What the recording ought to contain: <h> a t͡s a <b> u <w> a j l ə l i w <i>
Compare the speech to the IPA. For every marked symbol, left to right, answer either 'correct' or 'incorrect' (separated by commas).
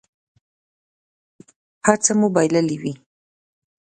correct, incorrect, incorrect, correct